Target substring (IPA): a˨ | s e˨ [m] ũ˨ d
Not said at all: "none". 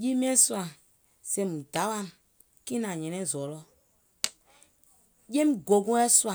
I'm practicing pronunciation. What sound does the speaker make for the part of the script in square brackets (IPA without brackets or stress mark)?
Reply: m